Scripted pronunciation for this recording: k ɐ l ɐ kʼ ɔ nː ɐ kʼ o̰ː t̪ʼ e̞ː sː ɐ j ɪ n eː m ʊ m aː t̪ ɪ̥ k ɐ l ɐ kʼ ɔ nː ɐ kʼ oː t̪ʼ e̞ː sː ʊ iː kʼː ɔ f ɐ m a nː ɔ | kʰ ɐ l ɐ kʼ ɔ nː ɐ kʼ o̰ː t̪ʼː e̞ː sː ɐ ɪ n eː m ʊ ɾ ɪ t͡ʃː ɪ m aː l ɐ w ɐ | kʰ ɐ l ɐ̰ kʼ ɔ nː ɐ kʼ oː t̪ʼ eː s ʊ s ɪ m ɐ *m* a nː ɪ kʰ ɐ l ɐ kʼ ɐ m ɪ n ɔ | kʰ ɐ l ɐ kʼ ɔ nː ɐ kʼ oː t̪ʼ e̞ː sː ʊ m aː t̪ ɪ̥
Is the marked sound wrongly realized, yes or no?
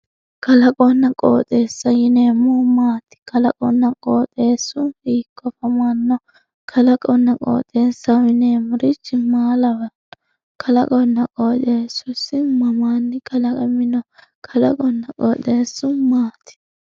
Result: no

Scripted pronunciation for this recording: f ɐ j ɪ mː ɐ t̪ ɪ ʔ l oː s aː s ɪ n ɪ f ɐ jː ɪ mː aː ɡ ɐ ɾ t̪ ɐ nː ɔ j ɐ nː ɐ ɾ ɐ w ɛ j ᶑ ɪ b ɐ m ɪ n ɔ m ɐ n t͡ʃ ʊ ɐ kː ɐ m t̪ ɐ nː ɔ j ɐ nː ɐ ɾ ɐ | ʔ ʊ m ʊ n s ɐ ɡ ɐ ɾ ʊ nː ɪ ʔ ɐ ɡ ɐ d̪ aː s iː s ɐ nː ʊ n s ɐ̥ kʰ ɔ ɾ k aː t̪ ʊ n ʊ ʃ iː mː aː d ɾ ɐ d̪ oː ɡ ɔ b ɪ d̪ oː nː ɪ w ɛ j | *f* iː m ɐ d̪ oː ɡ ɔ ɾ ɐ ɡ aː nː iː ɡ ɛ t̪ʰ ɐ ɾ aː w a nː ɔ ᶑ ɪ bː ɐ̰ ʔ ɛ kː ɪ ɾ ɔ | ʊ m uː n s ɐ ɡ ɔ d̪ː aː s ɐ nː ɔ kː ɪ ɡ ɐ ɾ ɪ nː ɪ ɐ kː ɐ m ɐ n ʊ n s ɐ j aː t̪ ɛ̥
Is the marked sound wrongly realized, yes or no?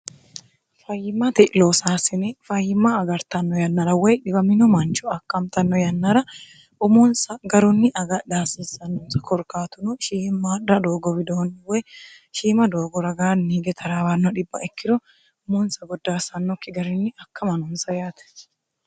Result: yes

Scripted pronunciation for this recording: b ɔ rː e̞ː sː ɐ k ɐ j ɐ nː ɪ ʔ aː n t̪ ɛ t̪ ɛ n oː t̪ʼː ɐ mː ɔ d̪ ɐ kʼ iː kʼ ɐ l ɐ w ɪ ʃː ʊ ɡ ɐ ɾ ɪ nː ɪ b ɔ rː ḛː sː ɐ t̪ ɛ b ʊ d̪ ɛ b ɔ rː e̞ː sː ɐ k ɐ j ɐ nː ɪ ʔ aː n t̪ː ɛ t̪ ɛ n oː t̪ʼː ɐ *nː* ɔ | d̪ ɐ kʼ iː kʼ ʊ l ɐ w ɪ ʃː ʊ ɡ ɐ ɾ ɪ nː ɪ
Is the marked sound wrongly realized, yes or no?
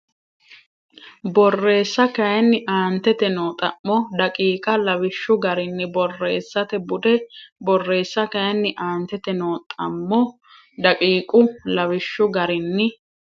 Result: yes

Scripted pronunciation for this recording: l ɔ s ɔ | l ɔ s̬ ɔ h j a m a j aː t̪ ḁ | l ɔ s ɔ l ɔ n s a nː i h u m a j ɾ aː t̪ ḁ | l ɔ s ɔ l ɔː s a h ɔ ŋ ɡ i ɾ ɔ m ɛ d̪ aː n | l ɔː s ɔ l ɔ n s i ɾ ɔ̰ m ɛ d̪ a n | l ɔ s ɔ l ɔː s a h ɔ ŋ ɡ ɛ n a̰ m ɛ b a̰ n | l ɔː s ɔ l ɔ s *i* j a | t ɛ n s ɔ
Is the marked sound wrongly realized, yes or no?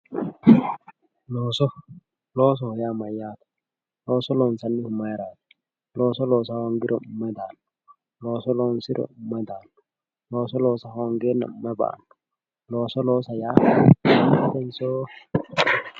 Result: yes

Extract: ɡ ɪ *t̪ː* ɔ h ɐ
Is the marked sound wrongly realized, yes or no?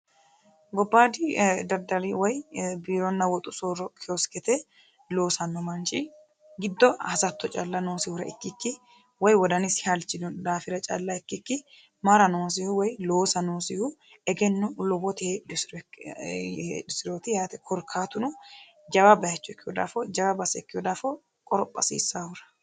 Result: yes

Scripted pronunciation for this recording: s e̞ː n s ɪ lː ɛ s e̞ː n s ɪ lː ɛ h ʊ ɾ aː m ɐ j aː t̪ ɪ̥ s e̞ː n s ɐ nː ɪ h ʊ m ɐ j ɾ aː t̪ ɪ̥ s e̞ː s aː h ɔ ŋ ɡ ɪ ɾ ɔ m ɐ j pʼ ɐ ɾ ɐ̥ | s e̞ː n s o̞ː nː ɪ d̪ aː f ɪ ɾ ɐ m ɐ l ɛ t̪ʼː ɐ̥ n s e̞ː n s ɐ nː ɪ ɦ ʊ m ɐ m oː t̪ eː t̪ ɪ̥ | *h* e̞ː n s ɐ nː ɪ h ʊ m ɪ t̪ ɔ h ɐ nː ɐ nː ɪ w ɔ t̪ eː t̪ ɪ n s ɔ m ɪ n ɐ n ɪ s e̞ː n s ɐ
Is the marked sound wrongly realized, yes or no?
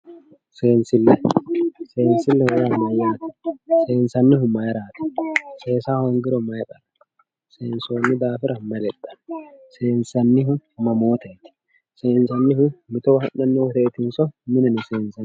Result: yes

